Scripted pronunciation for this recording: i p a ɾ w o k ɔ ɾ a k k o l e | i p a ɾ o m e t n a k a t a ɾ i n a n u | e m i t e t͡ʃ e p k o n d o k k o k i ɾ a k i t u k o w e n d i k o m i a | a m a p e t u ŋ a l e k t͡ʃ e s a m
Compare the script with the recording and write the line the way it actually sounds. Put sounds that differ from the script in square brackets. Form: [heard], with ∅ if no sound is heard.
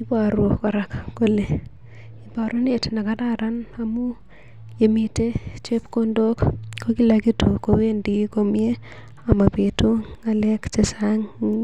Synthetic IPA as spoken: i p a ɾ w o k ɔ ɾ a k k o l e | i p a ɾ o [n] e t n a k a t a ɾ [a] n a [m] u | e m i t e t͡ʃ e p k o n d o k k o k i [l] a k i t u k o w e n d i k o m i [e] | a m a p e t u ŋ a l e k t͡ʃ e s a [ŋ]